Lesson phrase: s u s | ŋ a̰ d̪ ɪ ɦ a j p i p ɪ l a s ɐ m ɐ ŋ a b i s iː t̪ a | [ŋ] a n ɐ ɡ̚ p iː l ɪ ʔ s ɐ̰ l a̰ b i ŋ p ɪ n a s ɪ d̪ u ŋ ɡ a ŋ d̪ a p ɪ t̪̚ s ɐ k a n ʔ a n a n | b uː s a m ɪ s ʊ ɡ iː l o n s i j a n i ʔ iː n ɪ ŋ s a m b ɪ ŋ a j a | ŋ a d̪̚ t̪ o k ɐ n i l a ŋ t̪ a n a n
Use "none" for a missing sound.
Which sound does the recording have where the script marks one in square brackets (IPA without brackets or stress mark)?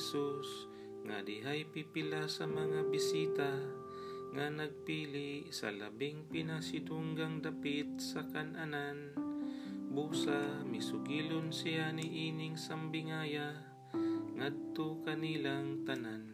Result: ŋ